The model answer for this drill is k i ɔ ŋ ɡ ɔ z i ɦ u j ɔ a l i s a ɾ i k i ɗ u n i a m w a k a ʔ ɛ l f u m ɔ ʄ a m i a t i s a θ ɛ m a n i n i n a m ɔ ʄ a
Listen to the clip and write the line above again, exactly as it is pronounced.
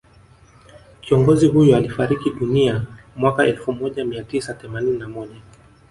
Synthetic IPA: k i ɔ ŋ ɡ ɔ z i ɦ u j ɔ a l i f a ɾ i k i ɗ u n i a m w a k a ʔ ɛ l f u m ɔ ʄ a m i a t i s a θ ɛ m a n i n i n a m ɔ ʄ a